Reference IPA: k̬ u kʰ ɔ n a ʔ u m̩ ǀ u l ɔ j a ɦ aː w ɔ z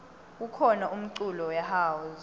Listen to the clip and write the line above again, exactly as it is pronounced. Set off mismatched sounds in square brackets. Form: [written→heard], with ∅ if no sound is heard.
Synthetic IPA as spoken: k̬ u kʰ ɔ n a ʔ u m̩ ǀ u l ɔ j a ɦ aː w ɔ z